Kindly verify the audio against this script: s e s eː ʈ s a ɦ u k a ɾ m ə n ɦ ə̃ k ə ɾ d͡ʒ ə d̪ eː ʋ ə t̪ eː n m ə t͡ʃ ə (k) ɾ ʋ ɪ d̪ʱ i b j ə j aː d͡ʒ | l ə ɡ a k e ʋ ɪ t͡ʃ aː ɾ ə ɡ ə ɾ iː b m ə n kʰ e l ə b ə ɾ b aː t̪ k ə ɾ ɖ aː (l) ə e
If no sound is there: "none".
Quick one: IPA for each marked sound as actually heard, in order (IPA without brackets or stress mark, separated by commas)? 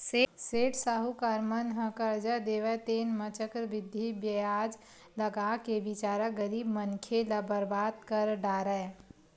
k, ɾ